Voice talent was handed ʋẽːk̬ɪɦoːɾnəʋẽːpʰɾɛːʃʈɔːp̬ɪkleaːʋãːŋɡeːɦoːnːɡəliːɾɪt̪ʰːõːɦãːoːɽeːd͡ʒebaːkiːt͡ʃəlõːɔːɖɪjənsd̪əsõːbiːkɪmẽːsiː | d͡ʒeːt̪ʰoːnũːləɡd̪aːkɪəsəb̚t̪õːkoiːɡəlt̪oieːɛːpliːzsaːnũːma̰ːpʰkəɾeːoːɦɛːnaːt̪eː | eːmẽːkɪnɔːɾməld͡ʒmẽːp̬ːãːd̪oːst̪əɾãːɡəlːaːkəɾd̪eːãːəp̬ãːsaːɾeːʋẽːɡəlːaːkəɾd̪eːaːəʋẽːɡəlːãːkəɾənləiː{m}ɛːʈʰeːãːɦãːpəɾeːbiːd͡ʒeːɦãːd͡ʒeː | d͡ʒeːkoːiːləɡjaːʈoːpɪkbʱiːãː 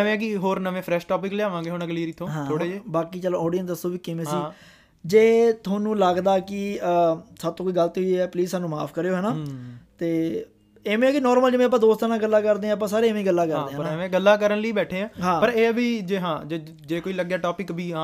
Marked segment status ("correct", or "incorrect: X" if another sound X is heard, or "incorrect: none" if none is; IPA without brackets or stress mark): incorrect: b